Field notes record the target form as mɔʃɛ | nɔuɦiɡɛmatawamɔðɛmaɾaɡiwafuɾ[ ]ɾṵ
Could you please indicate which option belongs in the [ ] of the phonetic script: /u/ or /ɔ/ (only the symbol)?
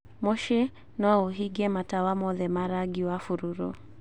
u